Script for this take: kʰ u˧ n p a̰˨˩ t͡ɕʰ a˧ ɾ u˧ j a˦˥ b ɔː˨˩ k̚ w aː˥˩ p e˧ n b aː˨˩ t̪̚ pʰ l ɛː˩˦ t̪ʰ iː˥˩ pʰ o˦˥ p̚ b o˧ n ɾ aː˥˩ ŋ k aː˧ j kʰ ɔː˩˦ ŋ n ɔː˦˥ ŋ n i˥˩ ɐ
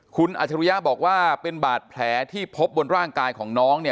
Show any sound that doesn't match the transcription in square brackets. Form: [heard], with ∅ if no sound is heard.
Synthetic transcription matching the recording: kʰ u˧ n [ʔ] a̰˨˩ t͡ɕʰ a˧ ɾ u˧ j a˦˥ b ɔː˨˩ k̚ w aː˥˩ p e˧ n b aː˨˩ t̪̚ pʰ l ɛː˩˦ t̪ʰ iː˥˩ pʰ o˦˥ p̚ b o˧ n ɾ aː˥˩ ŋ k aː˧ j kʰ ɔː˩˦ ŋ n ɔː˦˥ ŋ n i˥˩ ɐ

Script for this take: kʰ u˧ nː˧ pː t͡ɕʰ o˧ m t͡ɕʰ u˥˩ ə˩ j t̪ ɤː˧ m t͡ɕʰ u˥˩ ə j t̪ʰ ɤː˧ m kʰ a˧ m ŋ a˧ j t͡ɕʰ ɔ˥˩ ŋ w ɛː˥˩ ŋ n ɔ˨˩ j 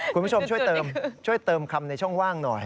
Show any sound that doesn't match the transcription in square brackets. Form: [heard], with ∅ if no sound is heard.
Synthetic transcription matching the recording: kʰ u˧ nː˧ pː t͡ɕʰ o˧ m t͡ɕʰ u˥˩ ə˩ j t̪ ɤː˧ m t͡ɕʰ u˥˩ ə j [t̪] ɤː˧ m kʰ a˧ m [n] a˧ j t͡ɕʰ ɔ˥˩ ŋ w [aː˥˩] ŋ n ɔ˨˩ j

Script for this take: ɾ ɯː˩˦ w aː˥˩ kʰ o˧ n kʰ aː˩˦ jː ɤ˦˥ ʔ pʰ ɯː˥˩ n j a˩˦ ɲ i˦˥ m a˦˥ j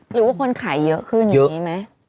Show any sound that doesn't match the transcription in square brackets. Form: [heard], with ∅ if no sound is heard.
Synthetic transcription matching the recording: ɾ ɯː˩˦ w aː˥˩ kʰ o˧ n kʰ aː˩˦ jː ɤ˦˥ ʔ [kʰ] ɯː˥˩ n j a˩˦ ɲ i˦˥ m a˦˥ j

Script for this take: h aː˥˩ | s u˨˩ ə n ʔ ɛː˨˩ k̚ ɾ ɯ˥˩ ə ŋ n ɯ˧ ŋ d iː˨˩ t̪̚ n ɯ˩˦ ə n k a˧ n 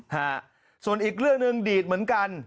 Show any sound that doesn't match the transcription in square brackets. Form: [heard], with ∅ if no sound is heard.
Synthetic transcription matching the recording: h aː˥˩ | s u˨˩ ə n ʔ [iː˨˩] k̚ ɾ ɯ˥˩ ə ŋ n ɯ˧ ŋ d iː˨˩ t̪̚ [m] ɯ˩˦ ə n k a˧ n

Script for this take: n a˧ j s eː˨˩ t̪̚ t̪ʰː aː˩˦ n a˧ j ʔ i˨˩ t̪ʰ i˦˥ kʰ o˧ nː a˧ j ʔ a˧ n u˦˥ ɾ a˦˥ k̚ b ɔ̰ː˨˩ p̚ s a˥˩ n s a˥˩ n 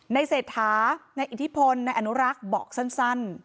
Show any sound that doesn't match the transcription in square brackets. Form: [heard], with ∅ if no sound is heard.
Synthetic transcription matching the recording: n a˧ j s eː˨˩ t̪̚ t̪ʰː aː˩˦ n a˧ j ʔ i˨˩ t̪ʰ i˦˥ [pʰ] o˧ nː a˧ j ʔ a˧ n u˦˥ ɾ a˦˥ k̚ b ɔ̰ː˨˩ [k̚] s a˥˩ n s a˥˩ n

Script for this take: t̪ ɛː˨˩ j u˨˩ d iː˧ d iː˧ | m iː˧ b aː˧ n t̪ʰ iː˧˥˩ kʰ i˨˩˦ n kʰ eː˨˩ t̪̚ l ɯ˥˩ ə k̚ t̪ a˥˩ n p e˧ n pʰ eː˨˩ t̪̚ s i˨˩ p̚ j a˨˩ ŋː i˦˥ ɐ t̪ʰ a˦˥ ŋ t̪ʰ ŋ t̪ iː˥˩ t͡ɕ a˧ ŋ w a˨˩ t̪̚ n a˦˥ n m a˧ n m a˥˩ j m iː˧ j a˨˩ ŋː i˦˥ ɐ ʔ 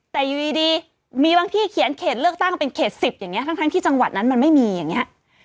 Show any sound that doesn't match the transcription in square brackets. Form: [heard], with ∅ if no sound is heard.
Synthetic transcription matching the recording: t̪ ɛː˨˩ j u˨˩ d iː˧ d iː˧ | m iː˧ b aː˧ [ŋ] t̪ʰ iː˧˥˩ kʰ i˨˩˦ n kʰ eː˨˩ t̪̚ l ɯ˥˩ ə k̚ t̪ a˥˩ [ŋ] p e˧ n [kʰ] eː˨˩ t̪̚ s i˨˩ p̚ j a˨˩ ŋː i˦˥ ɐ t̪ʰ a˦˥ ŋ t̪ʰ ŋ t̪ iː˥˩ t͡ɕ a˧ ŋ w a˨˩ t̪̚ n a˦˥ n m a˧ n m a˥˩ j m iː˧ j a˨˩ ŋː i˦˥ ɐ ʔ

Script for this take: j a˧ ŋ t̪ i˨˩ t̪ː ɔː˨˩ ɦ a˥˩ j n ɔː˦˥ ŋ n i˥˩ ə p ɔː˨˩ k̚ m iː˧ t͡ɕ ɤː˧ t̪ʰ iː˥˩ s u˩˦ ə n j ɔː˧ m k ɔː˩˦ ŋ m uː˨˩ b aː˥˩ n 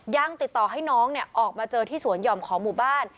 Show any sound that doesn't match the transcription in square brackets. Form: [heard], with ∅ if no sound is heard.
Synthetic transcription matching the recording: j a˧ ŋ t̪ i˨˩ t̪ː ɔː˨˩ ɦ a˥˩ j n ɔː˦˥ ŋ n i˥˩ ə [ʔ] ɔː˨˩ k̚ m [aː˧] t͡ɕ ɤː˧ t̪ʰ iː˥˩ s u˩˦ ə n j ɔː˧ m [kʰ] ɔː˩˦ ŋ m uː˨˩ b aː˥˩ n

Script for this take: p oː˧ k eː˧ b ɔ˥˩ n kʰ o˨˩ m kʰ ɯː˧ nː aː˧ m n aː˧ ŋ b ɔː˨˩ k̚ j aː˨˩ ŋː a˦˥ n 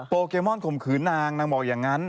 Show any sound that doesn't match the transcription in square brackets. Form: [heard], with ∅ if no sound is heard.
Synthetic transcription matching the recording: p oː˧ k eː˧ [m] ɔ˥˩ n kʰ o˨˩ m kʰ [ɯː˩˦] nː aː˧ [ŋ] n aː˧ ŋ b ɔː˨˩ k̚ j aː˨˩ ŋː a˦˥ n

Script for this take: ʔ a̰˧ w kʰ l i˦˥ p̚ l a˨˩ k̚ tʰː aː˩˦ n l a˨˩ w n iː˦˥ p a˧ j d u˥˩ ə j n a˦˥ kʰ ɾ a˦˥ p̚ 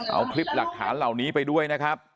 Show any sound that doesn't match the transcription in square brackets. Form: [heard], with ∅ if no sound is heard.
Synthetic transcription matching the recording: ʔ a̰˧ w kʰ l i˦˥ p̚ l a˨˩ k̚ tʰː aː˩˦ n l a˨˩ w n iː˦˥ p a˧ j d u˥˩ ə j n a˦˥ kʰ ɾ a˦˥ p̚

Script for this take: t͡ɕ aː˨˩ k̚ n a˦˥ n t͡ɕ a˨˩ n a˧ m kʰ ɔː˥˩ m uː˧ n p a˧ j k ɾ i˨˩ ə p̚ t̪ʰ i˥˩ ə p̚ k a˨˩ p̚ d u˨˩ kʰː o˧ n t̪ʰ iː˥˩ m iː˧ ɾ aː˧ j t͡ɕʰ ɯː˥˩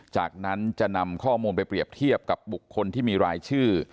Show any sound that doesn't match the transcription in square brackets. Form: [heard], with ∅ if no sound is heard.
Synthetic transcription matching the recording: t͡ɕ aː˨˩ k̚ n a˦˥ n t͡ɕ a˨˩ n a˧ m kʰ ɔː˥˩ m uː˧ n p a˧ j [p] ɾ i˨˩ ə p̚ t̪ʰ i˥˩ ə p̚ k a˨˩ p̚ [b] u˨˩ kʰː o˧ n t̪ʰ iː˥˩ m iː˧ ɾ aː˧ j t͡ɕʰ ɯː˥˩

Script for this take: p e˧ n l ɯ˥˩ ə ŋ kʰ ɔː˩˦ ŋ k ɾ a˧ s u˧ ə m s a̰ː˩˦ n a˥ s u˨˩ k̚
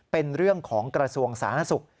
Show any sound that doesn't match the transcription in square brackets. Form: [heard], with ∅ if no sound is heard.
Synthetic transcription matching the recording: p e˧ n [ɾ] ɯ˥˩ ə ŋ kʰ ɔː˩˦ ŋ k ɾ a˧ s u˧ ə [ŋ] s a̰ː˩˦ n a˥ s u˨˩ k̚

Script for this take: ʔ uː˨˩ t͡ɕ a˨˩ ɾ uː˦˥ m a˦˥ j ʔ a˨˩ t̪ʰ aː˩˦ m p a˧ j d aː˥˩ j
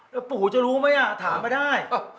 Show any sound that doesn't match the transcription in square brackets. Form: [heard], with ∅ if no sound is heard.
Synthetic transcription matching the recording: [p] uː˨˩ t͡ɕ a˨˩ ɾ uː˦˥ m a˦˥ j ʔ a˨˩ t̪ʰ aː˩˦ m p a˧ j d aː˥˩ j

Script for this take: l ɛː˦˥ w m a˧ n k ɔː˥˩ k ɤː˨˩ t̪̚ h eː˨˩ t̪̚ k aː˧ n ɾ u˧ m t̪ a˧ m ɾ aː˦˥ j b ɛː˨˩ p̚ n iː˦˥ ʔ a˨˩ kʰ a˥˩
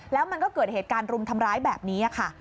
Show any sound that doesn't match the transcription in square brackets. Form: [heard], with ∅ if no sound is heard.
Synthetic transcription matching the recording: l ɛː˦˥ w m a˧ n k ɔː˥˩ k ɤː˨˩ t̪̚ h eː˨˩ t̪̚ k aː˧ n ɾ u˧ m [t̪ʰ] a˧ m ɾ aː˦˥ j b ɛː˨˩ p̚ n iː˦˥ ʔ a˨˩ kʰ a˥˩

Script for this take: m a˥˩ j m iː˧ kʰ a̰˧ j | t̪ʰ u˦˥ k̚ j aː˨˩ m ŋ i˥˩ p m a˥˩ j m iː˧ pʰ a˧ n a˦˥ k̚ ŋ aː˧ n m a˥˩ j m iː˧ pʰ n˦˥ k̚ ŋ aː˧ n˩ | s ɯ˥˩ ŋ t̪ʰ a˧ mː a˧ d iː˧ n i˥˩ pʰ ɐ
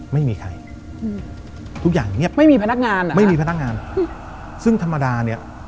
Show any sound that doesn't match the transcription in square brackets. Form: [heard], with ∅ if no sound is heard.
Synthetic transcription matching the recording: m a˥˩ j m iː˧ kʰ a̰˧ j | t̪ʰ u˦˥ k̚ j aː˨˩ [ŋ] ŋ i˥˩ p m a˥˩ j m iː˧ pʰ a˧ n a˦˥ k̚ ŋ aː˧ n m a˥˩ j m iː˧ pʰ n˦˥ k̚ ŋ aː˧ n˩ | s ɯ˥˩ ŋ t̪ʰ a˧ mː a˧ d [aː˧] n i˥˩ [∅] ɐ

